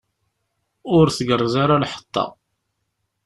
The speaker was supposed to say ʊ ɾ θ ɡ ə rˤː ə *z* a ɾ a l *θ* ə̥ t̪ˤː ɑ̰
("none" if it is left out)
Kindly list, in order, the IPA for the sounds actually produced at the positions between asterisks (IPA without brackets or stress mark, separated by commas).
z, ħ